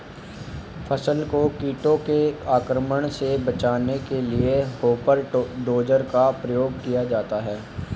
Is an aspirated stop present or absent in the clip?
absent